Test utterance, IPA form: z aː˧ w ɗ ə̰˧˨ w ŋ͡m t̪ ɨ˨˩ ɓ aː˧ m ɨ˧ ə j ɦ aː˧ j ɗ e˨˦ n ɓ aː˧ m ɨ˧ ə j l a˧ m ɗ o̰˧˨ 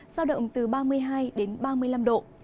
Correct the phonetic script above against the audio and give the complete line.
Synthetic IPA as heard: z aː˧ w ɗ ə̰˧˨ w ŋ͡m t̪ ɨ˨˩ ɓ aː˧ m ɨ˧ ə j ɦ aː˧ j ɗ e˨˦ n ɓ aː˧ m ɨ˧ ə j l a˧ m ɗ o̰˧˨